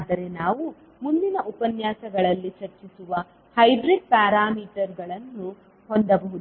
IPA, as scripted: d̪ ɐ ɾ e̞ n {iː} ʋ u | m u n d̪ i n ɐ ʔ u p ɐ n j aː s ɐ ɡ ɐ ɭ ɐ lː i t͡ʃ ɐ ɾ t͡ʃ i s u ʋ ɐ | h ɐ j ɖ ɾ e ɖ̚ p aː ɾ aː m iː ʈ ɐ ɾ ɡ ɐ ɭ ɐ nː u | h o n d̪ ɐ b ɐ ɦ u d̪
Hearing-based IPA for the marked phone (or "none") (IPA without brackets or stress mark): aː